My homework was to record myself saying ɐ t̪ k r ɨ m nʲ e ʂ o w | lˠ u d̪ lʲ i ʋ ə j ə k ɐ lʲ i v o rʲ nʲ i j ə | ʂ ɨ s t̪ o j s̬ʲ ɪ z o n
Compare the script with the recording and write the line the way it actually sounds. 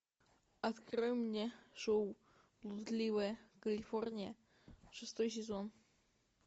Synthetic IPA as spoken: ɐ t̪ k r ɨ m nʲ e ʂ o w | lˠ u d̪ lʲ i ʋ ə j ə k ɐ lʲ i f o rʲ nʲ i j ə | ʂ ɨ s t̪ o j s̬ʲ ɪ z o n